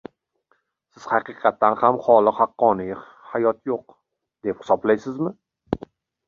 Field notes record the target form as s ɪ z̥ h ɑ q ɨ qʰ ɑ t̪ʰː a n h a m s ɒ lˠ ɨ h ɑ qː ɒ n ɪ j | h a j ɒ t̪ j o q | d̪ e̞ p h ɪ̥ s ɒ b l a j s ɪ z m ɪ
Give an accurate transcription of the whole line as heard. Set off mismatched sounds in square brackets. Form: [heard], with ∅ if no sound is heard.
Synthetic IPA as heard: s ɪ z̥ h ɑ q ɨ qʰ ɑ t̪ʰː a n h a m [χ] ɒ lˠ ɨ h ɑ qː ɒ n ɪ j | h a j ɒ t̪ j o q | d̪ e̞ p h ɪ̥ s ɒ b l a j s ɪ z m ɪ